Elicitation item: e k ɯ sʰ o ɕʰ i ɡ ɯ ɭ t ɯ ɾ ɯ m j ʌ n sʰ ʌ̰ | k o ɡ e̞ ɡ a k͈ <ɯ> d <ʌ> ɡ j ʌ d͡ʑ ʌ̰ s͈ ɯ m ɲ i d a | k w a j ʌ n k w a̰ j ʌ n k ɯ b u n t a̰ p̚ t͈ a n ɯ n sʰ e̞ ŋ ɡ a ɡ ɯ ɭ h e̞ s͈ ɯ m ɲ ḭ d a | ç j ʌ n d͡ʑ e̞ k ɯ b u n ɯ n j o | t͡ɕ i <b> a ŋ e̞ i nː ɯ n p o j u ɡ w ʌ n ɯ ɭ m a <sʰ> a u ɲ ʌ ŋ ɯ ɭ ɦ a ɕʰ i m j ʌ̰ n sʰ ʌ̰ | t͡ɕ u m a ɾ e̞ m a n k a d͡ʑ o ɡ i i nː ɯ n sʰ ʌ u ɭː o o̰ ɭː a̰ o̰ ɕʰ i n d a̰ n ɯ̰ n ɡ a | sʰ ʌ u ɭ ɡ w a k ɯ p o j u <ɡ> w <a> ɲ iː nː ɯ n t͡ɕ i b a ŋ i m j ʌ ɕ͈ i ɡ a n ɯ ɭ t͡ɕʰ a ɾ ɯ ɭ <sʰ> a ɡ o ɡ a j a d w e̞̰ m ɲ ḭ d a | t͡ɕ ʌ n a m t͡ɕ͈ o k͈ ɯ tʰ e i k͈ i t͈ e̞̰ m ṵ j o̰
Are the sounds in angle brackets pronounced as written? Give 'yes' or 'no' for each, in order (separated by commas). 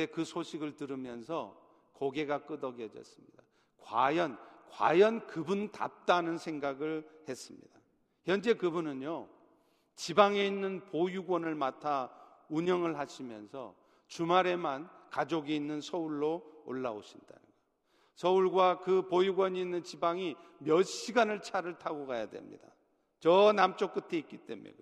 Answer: yes, yes, yes, no, yes, no, no